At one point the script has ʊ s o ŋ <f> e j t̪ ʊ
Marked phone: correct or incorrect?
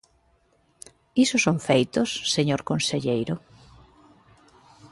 correct